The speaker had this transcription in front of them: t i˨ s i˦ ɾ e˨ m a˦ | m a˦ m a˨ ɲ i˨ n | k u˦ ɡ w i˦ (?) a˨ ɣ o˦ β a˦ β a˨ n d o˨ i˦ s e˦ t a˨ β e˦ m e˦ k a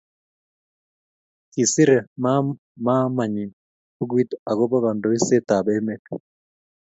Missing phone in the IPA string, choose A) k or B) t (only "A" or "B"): B